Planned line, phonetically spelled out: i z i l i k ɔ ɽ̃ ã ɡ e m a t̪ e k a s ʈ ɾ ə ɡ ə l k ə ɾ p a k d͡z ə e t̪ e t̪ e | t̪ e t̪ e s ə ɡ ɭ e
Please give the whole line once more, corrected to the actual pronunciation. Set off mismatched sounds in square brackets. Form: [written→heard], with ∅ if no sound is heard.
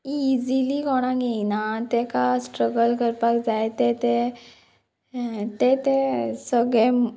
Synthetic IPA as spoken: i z i l i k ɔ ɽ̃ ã ɡ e [m→n] a t̪ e k a s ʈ ɾ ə ɡ ə l k ə ɾ p a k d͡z [ə→a] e t̪ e t̪ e | t̪ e t̪ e s ə ɡ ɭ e